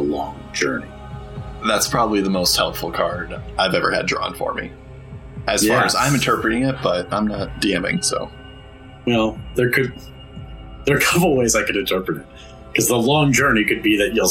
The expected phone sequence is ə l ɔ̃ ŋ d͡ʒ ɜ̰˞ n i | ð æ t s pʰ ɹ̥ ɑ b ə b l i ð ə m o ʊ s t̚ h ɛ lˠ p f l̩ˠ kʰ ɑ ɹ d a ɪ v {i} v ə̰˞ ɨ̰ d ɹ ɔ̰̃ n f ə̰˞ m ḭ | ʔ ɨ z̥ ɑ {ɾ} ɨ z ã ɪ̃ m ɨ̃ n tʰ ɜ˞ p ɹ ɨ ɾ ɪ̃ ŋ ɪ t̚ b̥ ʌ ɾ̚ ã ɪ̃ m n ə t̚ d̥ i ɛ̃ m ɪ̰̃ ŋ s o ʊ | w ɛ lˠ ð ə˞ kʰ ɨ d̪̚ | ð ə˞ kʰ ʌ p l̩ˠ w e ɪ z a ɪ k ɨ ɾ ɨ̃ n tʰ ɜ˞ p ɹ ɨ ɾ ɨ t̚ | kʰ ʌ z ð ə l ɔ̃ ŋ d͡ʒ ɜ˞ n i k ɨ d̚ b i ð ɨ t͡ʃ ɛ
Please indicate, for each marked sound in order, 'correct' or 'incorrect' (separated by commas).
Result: incorrect, incorrect